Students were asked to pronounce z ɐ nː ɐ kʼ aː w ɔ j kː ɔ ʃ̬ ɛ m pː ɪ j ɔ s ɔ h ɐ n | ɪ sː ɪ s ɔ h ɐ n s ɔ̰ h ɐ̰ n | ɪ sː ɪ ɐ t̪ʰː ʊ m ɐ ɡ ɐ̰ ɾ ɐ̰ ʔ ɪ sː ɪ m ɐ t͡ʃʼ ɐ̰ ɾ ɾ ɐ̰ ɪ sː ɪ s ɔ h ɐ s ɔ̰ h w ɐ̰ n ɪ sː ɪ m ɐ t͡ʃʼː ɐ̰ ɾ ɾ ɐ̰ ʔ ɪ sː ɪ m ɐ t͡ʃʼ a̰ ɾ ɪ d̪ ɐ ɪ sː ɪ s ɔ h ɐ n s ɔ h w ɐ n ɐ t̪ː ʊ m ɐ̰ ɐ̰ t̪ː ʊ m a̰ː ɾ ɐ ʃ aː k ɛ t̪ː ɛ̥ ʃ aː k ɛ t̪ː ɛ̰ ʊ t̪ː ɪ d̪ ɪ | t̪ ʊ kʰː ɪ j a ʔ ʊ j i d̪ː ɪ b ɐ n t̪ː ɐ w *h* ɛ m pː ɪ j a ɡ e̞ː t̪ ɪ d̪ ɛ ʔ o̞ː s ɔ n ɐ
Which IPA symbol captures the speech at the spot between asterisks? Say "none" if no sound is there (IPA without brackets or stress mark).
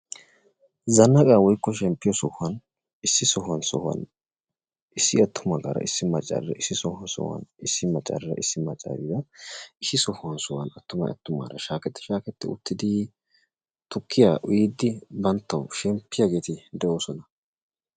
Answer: ʃ